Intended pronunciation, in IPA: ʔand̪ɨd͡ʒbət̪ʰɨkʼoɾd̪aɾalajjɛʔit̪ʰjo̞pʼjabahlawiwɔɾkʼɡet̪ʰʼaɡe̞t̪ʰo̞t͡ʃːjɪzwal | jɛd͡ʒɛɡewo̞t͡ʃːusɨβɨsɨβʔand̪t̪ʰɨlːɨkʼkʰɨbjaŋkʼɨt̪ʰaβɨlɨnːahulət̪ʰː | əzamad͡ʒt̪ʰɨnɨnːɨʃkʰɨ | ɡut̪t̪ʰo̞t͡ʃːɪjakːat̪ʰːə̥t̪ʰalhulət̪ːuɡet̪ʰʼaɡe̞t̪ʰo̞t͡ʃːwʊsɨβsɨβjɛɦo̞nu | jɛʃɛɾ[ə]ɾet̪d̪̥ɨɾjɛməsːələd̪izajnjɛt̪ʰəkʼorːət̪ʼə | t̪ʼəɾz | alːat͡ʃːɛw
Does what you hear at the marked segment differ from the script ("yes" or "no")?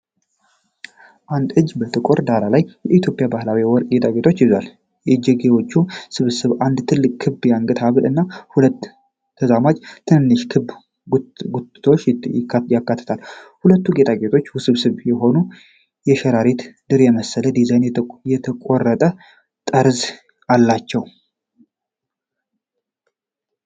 yes